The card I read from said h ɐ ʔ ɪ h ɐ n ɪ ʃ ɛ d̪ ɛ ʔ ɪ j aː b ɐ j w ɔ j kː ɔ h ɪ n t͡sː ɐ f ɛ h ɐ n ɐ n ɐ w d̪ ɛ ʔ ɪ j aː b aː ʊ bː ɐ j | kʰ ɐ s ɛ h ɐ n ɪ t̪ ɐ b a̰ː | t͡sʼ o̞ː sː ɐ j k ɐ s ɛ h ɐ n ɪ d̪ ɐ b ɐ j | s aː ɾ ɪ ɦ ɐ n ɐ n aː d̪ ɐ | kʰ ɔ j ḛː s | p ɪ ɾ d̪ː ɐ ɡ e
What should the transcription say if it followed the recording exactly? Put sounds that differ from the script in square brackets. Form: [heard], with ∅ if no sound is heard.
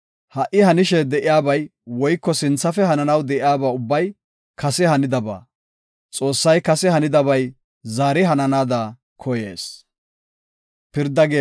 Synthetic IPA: h ɐ ʔ ɪ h ɐ n ɪ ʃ ɛ d̪ ɛ ʔ ɪ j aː b ɐ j w ɔ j kː ɔ [s] ɪ n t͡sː ɐ f ɛ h ɐ n ɐ n ɐ w d̪ ɛ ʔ ɪ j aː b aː ʊ bː ɐ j | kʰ ɐ s ɛ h ɐ n ɪ [d̪] ɐ b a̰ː | t͡sʼ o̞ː sː ɐ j k ɐ s ɛ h ɐ n ɪ d̪ ɐ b ɐ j | [z] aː ɾ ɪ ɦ ɐ n ɐ n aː d̪ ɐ | kʰ ɔ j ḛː s | p ɪ ɾ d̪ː ɐ ɡ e